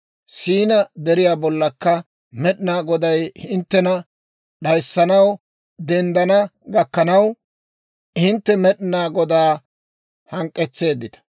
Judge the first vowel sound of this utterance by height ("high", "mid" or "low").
high